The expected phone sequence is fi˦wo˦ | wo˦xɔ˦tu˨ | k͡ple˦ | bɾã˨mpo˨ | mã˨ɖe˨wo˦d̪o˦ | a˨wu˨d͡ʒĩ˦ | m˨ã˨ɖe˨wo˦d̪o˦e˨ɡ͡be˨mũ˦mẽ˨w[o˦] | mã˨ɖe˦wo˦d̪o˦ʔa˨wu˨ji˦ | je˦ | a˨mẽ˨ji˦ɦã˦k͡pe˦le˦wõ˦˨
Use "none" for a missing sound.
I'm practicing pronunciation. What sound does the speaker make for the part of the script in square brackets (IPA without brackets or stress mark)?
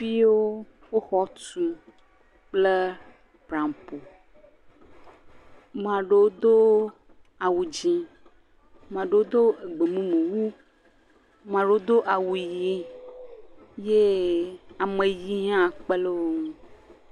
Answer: u˦